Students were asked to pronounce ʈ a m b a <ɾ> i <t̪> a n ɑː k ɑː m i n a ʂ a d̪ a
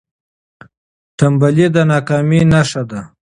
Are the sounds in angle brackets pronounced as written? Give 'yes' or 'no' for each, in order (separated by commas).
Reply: no, no